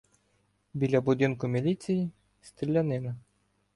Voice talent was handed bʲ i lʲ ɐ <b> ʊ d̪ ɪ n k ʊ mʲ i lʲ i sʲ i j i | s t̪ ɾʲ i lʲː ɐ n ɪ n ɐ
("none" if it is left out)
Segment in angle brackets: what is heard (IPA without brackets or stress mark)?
b